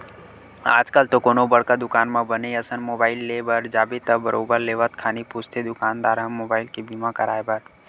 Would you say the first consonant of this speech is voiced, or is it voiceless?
voiced